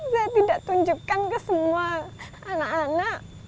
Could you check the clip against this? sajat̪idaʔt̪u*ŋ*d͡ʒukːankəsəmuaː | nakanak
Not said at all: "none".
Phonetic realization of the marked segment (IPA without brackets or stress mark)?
ɲ